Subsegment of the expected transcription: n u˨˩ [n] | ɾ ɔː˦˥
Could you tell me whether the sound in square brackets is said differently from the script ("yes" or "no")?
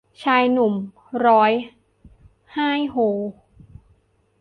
yes